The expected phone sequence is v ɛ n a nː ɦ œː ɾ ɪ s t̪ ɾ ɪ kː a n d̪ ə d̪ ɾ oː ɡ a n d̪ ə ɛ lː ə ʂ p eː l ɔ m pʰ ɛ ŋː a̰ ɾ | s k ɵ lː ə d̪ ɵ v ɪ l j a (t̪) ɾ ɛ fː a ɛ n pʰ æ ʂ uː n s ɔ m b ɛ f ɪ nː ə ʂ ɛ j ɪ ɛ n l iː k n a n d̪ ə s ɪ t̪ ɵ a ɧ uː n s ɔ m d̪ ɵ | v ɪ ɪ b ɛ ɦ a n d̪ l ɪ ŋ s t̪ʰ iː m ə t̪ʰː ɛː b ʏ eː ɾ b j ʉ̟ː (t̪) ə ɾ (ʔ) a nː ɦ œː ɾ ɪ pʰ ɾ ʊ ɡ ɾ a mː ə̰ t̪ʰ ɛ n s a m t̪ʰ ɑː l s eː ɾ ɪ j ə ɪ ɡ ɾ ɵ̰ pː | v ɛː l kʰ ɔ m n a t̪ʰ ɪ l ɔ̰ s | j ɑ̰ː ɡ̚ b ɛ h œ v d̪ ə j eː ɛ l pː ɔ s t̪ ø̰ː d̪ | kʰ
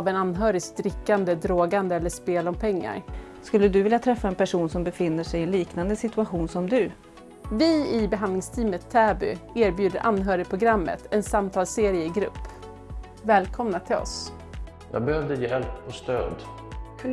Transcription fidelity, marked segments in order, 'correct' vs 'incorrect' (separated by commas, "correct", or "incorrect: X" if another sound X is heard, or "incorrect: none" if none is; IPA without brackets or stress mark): incorrect: t̪ʰ, incorrect: d̪, correct